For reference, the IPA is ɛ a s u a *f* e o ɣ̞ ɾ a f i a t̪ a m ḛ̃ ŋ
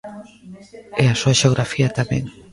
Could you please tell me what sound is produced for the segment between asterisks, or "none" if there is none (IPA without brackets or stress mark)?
ʃ